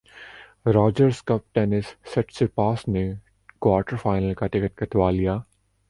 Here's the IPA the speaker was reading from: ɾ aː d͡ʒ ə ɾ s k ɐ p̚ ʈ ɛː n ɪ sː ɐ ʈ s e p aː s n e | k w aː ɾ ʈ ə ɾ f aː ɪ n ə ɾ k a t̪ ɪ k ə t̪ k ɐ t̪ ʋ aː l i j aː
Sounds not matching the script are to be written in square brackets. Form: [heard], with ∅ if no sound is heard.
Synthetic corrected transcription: ɾ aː d͡ʒ ə ɾ s k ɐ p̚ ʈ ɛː n ɪ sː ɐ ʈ s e p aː s n e | k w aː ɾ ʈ ə ɾ f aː ɪ n ə [l] k a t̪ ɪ k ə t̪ k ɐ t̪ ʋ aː l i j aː